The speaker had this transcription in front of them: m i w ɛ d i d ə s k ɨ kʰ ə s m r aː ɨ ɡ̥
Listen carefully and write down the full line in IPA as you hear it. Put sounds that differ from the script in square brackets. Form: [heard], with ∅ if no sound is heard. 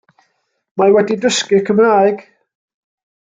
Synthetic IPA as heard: m [a] w ɛ d i d ə s k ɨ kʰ ə [∅] m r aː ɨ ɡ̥